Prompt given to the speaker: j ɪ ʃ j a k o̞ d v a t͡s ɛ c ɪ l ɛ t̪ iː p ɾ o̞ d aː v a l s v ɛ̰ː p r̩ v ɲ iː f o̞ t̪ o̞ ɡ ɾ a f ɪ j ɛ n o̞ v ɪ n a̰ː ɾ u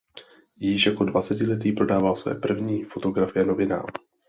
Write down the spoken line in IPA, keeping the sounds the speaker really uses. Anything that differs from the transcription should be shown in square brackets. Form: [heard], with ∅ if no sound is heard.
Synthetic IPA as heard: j ɪ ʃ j a k o̞ d v a t͡s ɛ c ɪ l ɛ t̪ iː p ɾ o̞ d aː v a l s v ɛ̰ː p r̩ v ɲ iː f o̞ t̪ o̞ ɡ ɾ a f ɪ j ɛ n o̞ v ɪ n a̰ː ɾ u